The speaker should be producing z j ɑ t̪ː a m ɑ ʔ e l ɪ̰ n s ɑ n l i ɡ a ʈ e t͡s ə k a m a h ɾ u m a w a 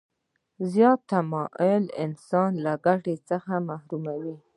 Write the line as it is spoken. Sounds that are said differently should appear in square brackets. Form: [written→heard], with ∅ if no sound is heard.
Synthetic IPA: z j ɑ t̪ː a m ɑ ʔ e l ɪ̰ n s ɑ n l [i→a] ɡ a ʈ e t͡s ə [k→x] a m a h ɾ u m a w [a→i]